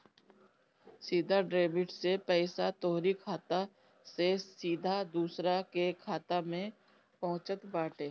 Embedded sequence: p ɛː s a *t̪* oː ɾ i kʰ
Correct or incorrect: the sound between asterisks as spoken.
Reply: correct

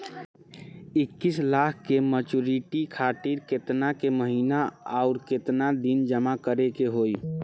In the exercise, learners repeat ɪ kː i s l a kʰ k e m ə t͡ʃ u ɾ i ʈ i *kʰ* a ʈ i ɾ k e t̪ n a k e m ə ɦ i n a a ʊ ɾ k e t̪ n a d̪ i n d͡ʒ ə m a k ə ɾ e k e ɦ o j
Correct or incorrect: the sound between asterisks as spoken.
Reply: correct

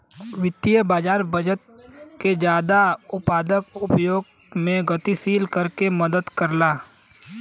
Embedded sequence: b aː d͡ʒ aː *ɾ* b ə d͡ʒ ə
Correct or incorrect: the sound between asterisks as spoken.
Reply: correct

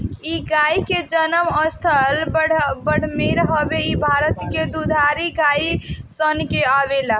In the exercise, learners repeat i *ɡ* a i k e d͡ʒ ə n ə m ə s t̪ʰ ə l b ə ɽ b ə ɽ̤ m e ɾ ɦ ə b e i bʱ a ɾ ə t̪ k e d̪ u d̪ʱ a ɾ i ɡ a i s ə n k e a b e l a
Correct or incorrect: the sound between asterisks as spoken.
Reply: correct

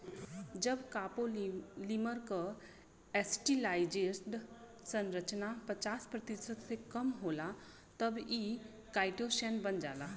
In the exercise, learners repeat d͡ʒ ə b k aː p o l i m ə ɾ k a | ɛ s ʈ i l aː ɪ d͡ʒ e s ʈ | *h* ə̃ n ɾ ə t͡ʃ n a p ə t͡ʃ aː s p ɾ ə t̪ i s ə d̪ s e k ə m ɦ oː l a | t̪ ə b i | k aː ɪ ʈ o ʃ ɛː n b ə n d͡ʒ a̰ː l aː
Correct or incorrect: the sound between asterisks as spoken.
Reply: incorrect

